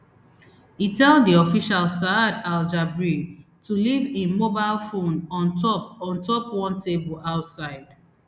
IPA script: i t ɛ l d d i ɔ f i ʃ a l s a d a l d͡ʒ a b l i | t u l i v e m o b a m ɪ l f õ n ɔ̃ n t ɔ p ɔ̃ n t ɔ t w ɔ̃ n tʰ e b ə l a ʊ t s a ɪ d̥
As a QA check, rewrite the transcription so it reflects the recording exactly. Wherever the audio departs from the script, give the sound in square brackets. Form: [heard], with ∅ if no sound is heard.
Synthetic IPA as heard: i t ɛ l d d i ɔ f i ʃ a l s a d a l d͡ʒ a b [ɹ] i | t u l i v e m o b a [∅] ɪ l f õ n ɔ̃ n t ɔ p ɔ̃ n t ɔ [p] w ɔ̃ n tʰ e b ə l a ʊ t s a ɪ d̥